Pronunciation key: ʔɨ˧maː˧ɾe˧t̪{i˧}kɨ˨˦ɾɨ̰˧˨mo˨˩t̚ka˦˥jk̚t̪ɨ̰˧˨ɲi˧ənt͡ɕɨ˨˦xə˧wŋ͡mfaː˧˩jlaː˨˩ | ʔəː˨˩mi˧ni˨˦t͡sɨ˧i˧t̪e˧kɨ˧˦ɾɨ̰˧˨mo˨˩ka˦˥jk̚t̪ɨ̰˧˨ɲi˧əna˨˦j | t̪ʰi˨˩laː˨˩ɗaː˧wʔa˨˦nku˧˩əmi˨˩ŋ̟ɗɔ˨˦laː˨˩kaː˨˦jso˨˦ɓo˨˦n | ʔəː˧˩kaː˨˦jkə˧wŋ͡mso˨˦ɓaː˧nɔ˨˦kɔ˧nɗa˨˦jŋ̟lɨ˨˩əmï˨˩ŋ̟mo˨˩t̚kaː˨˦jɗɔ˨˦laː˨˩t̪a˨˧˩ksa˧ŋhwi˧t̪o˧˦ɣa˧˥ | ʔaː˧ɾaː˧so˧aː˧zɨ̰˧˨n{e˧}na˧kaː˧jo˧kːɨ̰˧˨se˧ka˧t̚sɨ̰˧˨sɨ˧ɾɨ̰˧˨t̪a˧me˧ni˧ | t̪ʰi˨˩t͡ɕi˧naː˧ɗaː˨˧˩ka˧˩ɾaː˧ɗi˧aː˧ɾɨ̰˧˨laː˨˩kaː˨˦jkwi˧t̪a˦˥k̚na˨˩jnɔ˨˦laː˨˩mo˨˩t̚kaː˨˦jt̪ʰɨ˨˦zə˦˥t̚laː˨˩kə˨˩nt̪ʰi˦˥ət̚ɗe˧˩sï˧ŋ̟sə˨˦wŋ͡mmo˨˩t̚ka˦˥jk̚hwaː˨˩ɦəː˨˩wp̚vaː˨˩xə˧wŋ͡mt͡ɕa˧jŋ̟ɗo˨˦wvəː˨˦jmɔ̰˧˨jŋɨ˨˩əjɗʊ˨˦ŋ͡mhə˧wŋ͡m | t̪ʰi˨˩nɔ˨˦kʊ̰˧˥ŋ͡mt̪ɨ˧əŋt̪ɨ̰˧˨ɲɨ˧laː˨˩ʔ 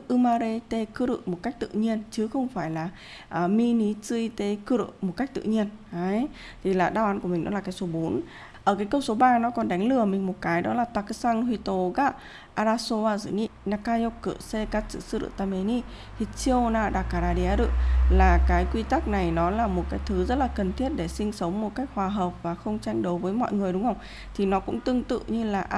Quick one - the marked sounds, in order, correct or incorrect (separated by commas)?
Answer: incorrect, incorrect